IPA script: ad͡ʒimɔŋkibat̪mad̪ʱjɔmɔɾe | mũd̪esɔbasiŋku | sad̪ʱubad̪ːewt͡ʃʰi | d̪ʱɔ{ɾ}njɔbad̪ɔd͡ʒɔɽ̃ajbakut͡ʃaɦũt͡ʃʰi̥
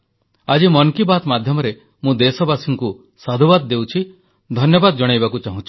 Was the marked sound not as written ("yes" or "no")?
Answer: yes